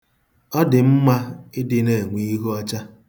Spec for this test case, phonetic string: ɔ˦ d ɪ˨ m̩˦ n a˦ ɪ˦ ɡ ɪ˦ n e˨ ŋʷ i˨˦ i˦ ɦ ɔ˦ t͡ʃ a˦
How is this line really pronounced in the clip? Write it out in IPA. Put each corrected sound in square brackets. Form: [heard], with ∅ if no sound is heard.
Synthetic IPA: ɔ˦ d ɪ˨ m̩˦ [m] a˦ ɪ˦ [d] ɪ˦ n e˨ ŋʷ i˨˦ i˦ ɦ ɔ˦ t͡ʃ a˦